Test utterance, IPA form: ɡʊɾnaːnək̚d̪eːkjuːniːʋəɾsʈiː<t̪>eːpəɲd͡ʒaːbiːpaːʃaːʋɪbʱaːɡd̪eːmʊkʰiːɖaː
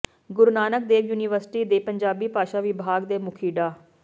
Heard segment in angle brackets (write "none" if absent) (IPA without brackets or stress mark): d̪